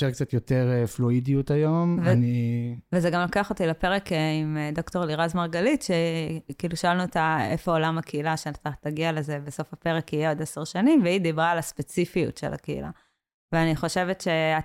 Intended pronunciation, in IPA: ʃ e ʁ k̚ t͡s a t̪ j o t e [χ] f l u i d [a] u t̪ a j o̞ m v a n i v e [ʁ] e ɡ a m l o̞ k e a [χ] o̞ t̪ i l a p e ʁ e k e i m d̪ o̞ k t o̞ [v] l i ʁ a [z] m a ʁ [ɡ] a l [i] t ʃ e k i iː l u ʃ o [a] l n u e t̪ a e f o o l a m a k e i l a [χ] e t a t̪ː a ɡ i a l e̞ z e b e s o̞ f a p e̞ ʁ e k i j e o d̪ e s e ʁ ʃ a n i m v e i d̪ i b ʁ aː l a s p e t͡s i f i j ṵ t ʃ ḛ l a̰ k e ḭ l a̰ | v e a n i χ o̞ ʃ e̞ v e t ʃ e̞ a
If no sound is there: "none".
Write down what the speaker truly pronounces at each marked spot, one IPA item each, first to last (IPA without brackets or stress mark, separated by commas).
ʁ, i, z, χ, ʁ, z, ɡ, i, a, ʃ